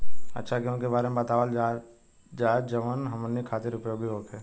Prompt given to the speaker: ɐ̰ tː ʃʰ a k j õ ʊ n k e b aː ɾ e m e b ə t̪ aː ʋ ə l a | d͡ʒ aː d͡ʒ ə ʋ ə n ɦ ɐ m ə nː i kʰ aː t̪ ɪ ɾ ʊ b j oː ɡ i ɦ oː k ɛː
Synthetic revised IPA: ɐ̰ tː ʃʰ a k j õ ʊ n k e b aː ɾ e m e b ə t̪ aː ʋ ə l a | d͡ʒ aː d͡ʒ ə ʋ ə n ɦ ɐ m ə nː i kʰ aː t̪ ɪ ɾ ʊ p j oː ɡ i ɦ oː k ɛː